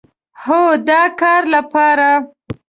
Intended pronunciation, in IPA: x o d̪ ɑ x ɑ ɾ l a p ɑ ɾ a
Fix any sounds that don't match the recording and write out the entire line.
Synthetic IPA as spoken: h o d̪ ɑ k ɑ ɾ l a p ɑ ɾ a